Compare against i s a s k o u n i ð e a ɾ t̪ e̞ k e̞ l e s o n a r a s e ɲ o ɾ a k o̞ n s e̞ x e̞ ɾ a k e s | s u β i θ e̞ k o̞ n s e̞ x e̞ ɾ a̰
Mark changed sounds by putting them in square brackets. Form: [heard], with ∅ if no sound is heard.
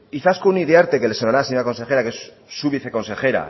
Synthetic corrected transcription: i [θ] a s k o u n i ð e a ɾ t̪ e̞ k e̞ l e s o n a [ɾ] a s e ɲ o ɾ a k o̞ n s e̞ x e̞ ɾ a k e s | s u β i θ e̞ k o̞ n s e̞ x e̞ ɾ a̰